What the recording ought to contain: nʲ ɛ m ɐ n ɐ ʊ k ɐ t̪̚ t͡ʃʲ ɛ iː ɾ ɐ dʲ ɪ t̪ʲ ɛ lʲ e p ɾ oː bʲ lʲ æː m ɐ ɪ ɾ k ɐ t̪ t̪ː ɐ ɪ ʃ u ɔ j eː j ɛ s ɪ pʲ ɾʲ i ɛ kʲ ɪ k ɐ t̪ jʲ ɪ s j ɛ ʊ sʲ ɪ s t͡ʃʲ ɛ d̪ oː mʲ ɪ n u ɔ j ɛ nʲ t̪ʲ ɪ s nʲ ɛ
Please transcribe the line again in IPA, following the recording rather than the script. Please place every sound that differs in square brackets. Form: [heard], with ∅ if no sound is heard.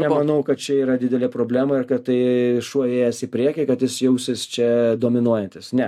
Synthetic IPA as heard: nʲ ɛ m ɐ n ɐ ʊ k ɐ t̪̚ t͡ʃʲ ɛ iː ɾ ɐ dʲ ɪ [d̪ʲ] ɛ lʲ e p ɾ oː bʲ lʲ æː m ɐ ɪ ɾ k ɐ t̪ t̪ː ɐ ɪ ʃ u ɔ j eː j ɛ s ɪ pʲ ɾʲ i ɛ kʲ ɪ k ɐ t̪ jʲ ɪ s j ɛ ʊ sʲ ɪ s t͡ʃʲ ɛ d̪ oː mʲ ɪ n u ɔ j ɛ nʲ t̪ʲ ɪ s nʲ ɛ